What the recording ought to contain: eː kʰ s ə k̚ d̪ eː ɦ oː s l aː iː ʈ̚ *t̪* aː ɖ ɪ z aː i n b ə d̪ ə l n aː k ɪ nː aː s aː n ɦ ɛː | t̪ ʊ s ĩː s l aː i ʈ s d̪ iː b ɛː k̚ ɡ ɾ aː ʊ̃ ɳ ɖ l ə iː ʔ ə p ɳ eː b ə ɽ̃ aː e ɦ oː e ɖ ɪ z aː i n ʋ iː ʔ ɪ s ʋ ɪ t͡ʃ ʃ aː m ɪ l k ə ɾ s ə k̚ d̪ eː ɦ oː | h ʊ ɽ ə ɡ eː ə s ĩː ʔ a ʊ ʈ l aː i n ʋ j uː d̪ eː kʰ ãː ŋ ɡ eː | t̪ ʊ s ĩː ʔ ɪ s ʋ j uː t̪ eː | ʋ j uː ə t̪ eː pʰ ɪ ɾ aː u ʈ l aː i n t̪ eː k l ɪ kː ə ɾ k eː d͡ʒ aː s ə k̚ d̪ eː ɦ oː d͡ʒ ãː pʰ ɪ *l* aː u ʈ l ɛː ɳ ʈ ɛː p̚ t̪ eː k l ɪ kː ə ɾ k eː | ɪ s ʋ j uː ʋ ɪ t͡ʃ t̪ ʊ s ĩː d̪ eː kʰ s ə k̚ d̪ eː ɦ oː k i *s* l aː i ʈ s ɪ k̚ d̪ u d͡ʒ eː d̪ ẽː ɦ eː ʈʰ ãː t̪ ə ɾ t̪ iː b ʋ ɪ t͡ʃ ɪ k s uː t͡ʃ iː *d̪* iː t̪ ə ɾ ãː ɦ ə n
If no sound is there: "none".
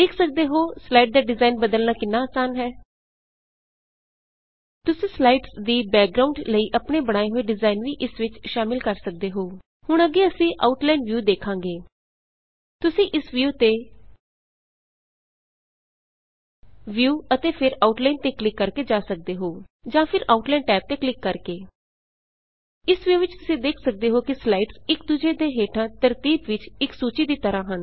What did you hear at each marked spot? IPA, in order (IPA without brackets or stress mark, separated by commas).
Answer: d̪, ɾ, s, d̪